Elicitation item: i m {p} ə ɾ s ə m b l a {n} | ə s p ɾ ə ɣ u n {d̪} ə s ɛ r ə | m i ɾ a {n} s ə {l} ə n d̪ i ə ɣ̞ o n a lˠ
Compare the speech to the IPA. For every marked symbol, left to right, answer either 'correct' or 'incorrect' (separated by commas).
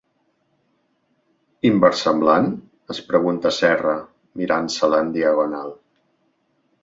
incorrect, correct, incorrect, correct, correct